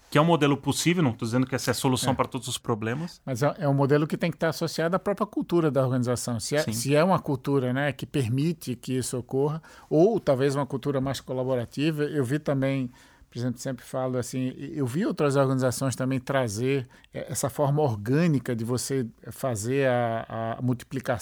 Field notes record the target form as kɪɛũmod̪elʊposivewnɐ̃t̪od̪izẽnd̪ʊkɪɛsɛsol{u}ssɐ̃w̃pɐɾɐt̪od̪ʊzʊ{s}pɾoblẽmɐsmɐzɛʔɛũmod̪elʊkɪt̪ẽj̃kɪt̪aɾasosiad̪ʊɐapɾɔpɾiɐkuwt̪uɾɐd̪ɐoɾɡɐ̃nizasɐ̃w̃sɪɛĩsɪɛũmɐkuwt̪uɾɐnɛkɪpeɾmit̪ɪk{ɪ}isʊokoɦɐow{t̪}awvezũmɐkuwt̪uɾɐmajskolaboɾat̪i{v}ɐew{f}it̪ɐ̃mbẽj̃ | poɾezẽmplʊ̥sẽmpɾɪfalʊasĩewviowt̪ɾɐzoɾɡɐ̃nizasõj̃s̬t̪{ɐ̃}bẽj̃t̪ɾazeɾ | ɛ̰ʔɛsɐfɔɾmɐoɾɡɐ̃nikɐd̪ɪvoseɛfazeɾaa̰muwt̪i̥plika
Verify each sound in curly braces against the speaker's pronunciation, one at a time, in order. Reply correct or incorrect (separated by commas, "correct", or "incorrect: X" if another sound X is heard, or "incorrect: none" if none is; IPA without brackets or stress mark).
correct, correct, correct, correct, correct, incorrect: v, correct